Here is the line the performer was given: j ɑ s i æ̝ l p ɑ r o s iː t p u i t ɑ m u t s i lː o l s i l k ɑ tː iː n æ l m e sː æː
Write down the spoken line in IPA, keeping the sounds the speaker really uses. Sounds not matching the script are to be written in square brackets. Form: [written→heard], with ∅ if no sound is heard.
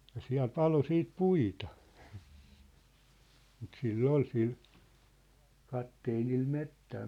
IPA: j ɑ s i æ̝ l p ɑ [r→l] o s iː t p u i t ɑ m u t s i lː o l s i l k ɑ tː [iː→eː] n [æ→i] l m e [sː→tː] æː